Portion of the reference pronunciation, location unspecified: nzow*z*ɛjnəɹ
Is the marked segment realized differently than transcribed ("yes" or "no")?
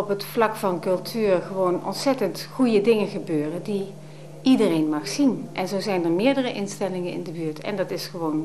no